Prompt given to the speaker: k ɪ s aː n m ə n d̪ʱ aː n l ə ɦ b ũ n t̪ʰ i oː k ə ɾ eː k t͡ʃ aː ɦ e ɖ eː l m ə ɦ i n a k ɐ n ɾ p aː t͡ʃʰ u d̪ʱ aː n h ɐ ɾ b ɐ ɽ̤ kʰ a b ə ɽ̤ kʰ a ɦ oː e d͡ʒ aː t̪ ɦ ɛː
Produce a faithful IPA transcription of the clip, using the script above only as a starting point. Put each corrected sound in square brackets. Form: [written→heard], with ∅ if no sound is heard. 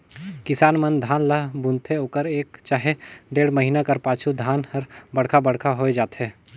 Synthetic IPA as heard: k ɪ s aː n m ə n d̪ʱ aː n l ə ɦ b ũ n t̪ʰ [i→e] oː k ə ɾ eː k t͡ʃ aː ɦ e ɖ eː [l→ɽ] m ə ɦ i n a k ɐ [n→∅] ɾ p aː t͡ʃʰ u d̪ʱ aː n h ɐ ɾ b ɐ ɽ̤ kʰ a b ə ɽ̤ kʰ a ɦ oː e d͡ʒ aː t̪ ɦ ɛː